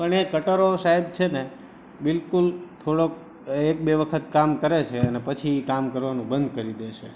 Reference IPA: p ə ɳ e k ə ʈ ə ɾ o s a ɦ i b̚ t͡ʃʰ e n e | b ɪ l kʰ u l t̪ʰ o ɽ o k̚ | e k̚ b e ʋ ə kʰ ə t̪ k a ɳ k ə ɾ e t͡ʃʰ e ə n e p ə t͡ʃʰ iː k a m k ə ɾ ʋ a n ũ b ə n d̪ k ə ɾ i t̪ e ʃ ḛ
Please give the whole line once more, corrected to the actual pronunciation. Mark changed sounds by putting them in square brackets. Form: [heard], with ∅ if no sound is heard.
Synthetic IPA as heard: p ə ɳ e k ə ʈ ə ɾ o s a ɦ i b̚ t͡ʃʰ e n e | b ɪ l [k] u l t̪ʰ o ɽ o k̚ | e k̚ b e ʋ ə kʰ ə t̪ k a [m] k ə ɾ e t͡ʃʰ e ə n e p ə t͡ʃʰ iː k a m k ə ɾ ʋ a n ũ b ə n d̪ k ə ɾ i [d̪] e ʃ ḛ